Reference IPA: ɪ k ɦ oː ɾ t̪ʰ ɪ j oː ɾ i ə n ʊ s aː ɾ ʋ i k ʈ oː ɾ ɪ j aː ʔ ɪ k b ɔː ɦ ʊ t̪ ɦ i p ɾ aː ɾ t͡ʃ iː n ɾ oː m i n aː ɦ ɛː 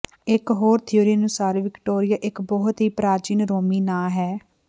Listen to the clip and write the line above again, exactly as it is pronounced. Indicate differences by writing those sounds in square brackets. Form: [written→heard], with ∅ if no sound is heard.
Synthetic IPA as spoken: ɪ k ɦ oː ɾ t̪ʰ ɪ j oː ɾ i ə n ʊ s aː ɾ ʋ [i→ɪ] k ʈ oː ɾ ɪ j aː ʔ ɪ k b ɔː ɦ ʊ t̪ ɦ [i→iː] p ɾ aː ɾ t͡ʃ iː n ɾ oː m [i→iː] n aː ɦ ɛː